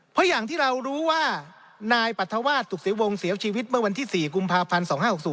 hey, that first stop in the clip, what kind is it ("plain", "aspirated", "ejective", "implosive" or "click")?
aspirated